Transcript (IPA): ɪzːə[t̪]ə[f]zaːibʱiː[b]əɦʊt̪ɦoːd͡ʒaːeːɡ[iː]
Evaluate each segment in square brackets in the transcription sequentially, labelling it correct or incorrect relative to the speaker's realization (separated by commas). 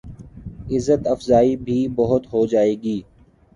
correct, correct, correct, correct